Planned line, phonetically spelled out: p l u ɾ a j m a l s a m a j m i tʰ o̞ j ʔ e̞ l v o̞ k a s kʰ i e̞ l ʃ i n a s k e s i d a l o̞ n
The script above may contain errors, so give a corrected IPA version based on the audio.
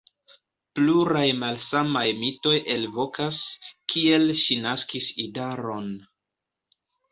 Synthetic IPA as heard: p l u ɾ a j m a l s a m a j m i t o̞ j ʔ e̞ l v o̞ k a s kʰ i e̞ l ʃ i n a s k i s i d a ɾ o̞ n